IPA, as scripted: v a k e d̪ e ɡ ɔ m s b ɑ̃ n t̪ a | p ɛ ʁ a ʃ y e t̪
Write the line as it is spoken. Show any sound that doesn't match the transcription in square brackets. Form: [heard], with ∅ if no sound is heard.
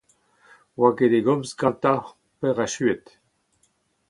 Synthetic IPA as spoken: [w] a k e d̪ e ɡ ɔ m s [ɡ] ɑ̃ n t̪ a | p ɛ ʁ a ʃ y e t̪